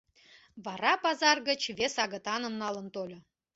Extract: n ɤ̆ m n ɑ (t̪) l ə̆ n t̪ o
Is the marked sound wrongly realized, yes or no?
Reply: yes